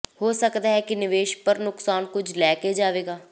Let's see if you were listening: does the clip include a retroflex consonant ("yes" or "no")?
no